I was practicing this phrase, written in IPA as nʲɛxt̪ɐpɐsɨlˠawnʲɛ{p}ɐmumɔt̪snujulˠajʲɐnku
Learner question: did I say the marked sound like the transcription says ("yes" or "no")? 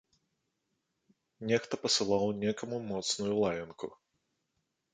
no